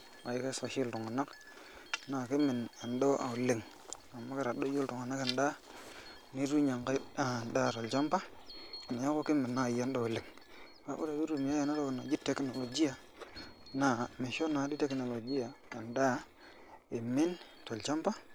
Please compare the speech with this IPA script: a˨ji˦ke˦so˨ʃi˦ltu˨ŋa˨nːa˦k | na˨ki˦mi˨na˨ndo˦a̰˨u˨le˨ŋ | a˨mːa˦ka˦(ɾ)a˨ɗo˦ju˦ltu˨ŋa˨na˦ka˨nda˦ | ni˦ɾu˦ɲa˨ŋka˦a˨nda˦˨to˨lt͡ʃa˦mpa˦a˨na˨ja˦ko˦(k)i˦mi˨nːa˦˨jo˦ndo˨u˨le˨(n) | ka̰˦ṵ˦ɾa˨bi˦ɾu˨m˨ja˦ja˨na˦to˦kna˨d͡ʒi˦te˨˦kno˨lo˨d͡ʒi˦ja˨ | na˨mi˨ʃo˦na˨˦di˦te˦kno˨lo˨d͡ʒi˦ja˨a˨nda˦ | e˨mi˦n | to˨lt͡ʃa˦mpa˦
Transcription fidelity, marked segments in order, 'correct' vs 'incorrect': correct, correct, incorrect

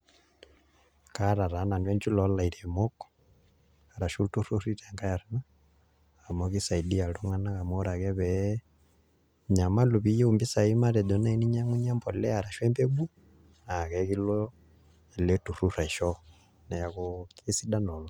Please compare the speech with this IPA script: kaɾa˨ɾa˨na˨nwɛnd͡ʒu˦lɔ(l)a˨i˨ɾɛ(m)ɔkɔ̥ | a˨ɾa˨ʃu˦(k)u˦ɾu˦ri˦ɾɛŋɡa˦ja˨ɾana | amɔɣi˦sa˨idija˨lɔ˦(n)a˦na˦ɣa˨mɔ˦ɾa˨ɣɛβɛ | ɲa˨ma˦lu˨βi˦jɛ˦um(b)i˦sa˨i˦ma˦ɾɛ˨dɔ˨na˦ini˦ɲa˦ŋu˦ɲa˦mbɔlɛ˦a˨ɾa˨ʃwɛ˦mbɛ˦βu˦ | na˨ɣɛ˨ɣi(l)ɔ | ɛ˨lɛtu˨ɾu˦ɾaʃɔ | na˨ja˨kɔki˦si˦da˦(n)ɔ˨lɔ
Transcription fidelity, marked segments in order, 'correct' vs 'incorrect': correct, correct, incorrect, incorrect, correct, correct, correct

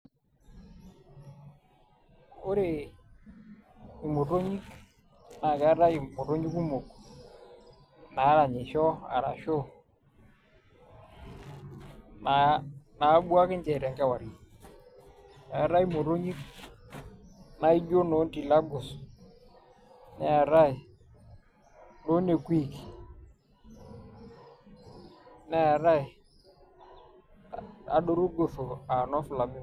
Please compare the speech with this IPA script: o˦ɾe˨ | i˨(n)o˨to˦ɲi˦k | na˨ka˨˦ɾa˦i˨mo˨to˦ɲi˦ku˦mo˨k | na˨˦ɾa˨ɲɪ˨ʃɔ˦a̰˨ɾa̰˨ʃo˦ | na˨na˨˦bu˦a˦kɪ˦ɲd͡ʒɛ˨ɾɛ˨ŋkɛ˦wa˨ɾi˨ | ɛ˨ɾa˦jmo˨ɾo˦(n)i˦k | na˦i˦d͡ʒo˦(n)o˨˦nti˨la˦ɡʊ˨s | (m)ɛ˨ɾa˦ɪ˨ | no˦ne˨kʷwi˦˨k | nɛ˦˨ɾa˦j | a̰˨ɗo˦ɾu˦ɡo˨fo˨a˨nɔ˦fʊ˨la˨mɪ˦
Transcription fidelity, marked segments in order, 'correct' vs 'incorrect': incorrect, incorrect, correct, incorrect

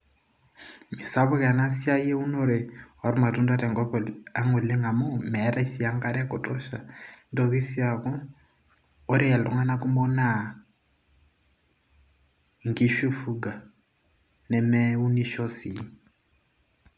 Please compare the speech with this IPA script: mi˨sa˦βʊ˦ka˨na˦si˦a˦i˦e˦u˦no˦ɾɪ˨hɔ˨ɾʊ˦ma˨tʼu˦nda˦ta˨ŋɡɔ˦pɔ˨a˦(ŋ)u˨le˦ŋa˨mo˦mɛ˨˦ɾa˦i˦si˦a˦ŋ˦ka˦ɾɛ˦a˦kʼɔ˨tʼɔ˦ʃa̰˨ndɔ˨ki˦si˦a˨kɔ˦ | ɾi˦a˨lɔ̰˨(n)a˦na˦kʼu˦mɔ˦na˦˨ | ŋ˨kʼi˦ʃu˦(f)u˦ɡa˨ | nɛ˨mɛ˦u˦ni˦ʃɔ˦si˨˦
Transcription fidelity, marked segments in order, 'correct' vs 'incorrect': correct, incorrect, correct

